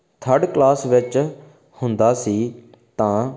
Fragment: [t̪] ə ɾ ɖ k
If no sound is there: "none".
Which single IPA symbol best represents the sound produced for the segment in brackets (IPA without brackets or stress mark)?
t̪ʰ